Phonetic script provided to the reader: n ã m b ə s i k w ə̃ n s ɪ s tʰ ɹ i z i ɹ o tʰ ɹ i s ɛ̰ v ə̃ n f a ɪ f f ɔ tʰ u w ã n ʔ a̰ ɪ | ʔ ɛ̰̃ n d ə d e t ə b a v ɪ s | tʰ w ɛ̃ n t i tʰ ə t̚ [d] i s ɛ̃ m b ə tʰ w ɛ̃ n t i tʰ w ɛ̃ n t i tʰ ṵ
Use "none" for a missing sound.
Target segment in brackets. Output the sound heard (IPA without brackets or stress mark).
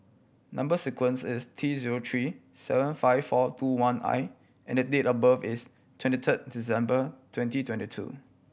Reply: d